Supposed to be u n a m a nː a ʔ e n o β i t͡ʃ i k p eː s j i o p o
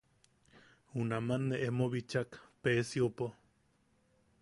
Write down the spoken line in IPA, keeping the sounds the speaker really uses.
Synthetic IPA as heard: u n a m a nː e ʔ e m o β i t͡ʃ a k p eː s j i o p o